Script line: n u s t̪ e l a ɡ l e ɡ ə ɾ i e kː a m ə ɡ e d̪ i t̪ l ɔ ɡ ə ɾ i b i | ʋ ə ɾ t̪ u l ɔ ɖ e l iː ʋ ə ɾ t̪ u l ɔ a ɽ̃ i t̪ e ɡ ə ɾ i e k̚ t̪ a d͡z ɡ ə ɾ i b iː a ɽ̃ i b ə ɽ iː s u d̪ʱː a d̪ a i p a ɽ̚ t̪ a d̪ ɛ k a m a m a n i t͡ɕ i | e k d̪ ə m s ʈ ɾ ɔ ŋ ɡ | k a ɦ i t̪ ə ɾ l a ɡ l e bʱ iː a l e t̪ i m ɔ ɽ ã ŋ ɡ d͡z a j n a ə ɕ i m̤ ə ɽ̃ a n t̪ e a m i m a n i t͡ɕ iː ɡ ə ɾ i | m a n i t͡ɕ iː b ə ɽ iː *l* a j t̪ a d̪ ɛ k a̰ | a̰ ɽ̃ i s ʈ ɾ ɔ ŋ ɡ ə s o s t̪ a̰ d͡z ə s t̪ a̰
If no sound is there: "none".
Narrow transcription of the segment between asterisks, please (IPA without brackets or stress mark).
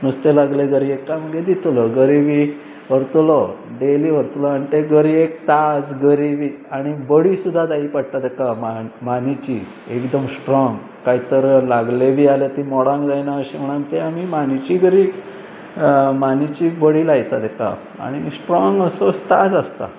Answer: l